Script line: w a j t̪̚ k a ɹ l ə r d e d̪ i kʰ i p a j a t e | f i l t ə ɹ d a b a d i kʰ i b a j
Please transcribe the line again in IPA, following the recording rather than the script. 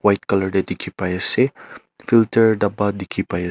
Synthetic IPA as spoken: w a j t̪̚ k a l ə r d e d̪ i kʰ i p a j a s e | f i l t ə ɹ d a b a d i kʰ i p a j